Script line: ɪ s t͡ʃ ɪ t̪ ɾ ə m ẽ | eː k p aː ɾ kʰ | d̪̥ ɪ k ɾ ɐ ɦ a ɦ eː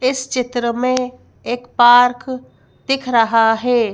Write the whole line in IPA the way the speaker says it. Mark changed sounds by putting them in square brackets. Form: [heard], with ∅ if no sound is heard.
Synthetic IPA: ɪ s t͡ʃ ɪ t̪ ɾ ə m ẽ | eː k p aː ɾ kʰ | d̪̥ ɪ [kʰ] ɾ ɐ ɦ a ɦ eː